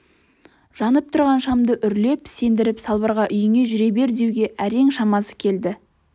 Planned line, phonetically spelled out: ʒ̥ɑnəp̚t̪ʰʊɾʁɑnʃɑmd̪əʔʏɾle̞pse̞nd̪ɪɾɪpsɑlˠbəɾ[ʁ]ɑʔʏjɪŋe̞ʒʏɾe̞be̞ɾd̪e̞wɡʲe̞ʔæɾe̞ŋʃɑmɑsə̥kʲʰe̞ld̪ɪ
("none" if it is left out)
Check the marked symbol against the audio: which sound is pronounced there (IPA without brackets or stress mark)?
ʁ